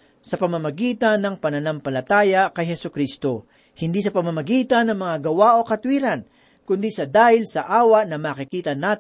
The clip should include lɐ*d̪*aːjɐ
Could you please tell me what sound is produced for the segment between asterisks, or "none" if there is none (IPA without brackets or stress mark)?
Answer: t̪